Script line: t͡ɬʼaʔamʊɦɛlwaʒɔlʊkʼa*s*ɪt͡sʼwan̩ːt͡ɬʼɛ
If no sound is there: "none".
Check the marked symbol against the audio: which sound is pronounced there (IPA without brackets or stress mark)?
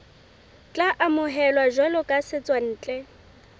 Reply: s